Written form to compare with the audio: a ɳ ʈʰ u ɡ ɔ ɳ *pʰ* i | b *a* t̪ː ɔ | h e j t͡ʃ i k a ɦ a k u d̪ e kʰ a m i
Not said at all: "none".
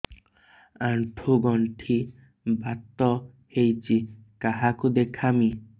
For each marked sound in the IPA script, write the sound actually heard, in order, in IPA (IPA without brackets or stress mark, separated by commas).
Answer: ʈʰ, a